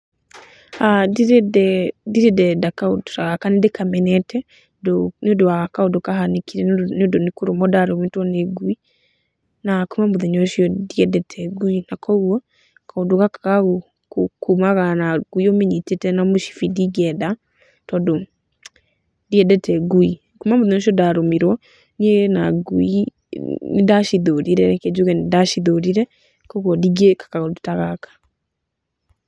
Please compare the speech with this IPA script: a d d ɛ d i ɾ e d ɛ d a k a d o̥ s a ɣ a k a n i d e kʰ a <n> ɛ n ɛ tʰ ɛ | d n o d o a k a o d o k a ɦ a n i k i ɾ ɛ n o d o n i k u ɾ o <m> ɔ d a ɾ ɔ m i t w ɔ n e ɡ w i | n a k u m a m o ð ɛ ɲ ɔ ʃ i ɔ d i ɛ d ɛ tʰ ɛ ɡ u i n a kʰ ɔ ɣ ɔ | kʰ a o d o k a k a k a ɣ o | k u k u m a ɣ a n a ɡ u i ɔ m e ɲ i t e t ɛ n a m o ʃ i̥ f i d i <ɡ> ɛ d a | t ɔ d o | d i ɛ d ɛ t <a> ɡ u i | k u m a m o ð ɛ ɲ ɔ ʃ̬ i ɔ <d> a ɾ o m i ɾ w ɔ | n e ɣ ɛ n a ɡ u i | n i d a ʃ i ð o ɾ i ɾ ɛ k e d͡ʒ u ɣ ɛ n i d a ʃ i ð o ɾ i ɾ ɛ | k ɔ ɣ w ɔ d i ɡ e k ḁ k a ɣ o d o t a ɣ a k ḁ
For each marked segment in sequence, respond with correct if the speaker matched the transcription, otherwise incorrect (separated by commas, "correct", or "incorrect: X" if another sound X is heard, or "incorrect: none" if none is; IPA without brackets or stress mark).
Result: incorrect: m, correct, correct, incorrect: ɛ, correct